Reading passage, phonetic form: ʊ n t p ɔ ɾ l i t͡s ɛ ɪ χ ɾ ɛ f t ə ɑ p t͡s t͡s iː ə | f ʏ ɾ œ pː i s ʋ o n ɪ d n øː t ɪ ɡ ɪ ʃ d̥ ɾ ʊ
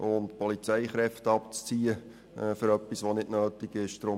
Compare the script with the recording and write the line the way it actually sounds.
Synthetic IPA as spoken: ʊ n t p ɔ l i t͡s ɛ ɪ χ ɾ ɛ f t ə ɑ p t͡s t͡s iː ə | f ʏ ɾ œ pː i s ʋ o n ɪ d n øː t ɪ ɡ ɪ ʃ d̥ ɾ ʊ

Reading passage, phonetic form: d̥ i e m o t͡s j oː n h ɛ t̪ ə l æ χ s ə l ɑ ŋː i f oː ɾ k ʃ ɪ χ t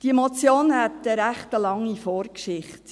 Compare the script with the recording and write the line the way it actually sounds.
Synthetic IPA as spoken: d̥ i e m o t͡s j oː n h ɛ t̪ ə ɾ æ χ t ə l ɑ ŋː i f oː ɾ k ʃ ɪ χ t

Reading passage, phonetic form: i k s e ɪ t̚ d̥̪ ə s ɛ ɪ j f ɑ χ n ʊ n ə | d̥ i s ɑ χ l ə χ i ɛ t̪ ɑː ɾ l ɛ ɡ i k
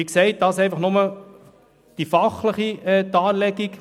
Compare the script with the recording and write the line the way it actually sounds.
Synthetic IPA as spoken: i k s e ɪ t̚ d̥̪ ɑ s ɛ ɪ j f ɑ χ n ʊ m ə | d̥ i f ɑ χ l ə χ i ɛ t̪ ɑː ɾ l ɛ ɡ i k

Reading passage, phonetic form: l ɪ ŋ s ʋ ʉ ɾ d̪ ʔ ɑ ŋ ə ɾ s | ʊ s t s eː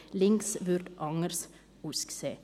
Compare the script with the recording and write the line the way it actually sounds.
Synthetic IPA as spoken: l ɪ ŋ s ʋ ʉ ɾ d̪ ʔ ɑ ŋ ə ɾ s | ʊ s k s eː

